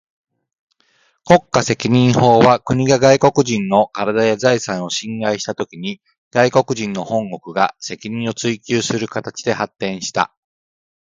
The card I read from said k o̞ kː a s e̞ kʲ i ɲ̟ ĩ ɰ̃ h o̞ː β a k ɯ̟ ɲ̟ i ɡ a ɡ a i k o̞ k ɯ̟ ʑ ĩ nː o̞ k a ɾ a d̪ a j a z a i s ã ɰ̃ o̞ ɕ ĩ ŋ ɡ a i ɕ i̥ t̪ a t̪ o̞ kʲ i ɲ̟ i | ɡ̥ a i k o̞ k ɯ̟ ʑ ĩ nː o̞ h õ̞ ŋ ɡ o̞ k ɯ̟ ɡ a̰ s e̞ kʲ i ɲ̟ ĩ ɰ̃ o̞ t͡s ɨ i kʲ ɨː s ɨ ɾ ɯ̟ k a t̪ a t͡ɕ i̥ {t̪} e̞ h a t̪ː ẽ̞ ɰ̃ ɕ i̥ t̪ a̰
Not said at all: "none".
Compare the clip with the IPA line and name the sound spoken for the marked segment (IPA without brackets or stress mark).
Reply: d̪